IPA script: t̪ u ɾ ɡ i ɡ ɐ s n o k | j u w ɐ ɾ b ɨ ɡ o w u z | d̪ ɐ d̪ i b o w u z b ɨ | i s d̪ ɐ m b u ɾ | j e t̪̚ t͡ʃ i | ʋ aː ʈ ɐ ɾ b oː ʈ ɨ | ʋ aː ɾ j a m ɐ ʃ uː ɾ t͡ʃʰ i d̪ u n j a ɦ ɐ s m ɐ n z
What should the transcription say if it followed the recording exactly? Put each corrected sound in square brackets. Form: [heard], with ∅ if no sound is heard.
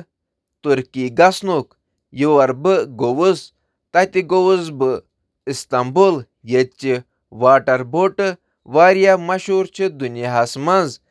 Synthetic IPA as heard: t̪ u ɾ [k] i ɡ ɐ s n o k | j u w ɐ ɾ b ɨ ɡ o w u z | [t̪] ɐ [t̪] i [ɡ] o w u z b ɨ | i s [t̪] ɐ m b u [l] | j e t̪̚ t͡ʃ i | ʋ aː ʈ ɐ ɾ b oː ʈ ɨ | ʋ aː ɾ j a m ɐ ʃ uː ɾ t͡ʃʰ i d̪ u n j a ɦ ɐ s m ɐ n z